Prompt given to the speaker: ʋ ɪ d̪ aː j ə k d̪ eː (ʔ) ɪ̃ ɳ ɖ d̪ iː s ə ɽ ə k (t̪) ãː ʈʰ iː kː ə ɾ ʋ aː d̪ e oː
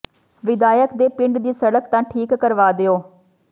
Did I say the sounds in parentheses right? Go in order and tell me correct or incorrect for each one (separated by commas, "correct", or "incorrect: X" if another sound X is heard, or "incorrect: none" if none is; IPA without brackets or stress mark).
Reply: incorrect: p, correct